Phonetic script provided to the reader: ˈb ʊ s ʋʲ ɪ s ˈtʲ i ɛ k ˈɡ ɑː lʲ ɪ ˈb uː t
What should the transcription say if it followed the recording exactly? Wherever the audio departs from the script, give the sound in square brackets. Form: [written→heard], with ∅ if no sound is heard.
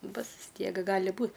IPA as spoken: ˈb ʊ s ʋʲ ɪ s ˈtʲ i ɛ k ˈɡ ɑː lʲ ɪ ˈb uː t